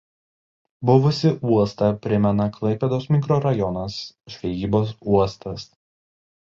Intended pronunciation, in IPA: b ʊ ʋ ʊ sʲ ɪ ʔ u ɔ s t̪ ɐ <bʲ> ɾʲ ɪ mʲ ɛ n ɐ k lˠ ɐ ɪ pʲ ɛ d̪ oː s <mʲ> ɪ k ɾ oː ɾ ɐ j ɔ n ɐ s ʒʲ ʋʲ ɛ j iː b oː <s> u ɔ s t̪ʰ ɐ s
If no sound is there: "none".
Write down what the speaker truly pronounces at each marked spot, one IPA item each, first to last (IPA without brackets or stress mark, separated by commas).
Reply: pʲ, mʲ, s